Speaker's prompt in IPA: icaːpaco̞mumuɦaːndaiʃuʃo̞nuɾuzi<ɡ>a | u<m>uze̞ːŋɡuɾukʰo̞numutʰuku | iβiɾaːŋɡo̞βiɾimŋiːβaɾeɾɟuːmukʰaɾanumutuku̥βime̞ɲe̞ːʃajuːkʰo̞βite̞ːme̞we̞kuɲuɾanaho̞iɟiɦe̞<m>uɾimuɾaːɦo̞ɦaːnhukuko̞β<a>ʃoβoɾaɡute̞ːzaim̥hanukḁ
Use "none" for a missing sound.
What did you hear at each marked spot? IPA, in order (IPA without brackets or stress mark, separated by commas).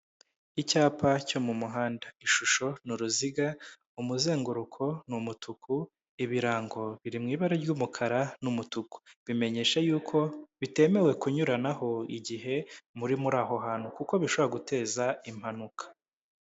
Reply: ɡ, m, m, i